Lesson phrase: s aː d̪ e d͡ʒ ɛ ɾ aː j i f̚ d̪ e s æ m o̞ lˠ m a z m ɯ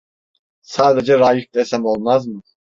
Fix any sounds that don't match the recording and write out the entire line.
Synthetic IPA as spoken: s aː d̪ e d͡ʒ ɛ ɾ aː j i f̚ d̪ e s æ m o̞ lˠ m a z m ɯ